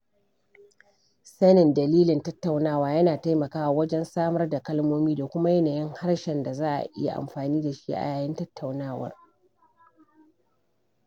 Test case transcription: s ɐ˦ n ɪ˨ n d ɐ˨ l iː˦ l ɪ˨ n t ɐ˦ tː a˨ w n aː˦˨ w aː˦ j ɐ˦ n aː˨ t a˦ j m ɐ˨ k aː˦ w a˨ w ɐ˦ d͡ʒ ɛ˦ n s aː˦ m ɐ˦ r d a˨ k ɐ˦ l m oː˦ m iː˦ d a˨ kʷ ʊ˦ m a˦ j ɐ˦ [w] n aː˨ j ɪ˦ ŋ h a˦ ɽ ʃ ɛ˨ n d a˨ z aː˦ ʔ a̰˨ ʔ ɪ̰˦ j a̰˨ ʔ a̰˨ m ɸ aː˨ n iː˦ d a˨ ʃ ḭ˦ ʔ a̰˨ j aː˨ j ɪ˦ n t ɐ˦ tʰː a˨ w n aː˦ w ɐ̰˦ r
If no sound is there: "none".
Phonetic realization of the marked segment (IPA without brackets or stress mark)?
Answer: none